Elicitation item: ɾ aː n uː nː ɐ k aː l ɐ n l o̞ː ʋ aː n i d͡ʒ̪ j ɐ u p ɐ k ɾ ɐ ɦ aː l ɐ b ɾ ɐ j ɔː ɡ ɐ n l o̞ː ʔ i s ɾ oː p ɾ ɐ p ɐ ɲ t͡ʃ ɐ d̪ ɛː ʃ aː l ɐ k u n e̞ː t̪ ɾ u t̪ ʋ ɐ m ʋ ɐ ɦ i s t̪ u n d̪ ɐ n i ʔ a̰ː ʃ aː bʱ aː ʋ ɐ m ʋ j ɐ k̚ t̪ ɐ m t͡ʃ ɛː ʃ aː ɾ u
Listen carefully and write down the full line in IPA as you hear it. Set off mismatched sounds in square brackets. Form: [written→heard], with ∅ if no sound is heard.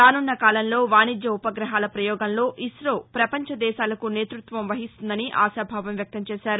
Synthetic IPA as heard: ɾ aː n [uː→u] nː ɐ k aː l ɐ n l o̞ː ʋ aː n i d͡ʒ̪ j ɐ u p ɐ [k→ɡ] ɾ ɐ ɦ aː l ɐ [b→p] ɾ ɐ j ɔː ɡ ɐ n l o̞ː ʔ i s ɾ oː p ɾ ɐ p ɐ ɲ t͡ʃ ɐ d̪ ɛː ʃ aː l ɐ k u n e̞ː t̪ ɾ u t̪ ʋ ɐ m ʋ ɐ ɦ i s t̪ u n d̪ ɐ n i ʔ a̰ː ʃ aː bʱ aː ʋ ɐ m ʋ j ɐ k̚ t̪ ɐ m t͡ʃ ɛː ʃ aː ɾ u